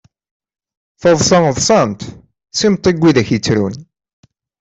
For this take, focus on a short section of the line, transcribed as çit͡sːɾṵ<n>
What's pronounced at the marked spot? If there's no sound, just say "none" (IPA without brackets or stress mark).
n